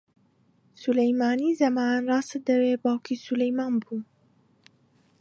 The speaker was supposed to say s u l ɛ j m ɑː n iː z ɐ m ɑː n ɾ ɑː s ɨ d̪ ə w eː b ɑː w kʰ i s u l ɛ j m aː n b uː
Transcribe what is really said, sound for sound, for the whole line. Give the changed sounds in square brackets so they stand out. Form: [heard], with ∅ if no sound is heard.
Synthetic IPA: s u l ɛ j m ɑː n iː z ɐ m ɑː n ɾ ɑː s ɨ d̪ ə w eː b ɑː w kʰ i s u l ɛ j m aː n b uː